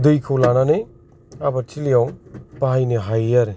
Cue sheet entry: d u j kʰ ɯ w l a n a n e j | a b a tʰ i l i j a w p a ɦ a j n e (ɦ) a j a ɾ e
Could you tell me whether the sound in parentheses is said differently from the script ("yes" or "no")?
no